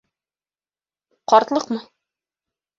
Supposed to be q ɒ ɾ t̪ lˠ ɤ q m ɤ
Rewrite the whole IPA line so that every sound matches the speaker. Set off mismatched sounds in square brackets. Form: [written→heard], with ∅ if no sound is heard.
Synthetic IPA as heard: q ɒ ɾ t̪ lˠ ɤ q m ɤ